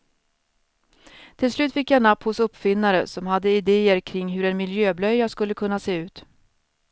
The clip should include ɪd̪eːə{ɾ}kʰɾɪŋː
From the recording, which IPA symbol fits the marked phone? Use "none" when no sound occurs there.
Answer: ɾ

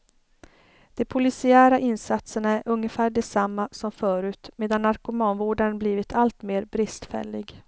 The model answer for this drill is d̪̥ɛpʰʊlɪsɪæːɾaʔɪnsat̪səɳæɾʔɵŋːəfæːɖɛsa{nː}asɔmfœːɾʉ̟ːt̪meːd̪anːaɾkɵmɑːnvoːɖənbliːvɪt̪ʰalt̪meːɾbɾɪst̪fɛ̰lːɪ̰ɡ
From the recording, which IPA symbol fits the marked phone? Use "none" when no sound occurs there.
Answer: mː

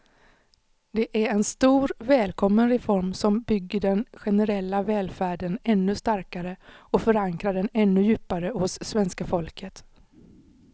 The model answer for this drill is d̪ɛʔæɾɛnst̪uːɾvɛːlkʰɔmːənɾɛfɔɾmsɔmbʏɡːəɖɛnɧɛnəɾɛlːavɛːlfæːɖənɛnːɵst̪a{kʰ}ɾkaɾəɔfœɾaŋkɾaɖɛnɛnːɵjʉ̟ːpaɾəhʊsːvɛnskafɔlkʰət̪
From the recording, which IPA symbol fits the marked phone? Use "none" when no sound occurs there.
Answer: none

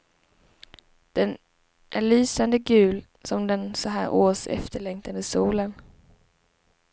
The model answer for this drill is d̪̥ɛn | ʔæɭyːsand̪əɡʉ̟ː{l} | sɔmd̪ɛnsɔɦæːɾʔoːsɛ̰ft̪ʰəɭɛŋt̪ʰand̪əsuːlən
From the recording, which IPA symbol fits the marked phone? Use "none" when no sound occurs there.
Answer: l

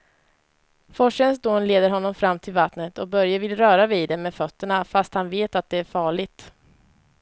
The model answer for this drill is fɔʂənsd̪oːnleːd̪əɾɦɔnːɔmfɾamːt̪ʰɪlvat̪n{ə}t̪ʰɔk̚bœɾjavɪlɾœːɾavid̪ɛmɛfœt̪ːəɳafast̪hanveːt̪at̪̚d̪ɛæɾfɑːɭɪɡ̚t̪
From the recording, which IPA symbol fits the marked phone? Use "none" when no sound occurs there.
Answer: ə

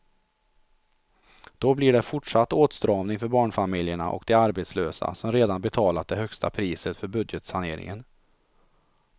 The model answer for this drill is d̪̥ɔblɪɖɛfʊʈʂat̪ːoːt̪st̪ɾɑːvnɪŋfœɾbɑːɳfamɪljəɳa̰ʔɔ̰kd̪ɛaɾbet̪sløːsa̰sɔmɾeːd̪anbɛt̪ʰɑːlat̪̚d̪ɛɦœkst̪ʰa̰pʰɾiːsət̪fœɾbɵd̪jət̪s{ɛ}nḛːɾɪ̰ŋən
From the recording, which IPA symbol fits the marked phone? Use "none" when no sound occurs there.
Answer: a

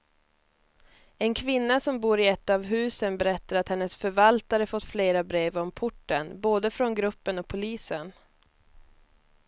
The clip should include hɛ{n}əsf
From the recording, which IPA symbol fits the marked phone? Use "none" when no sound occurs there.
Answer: nː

